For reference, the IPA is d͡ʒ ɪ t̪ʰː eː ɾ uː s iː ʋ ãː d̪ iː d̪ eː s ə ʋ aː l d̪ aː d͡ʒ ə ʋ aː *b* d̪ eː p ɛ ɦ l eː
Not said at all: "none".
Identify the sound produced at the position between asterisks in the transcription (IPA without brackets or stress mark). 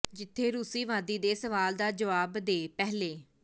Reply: b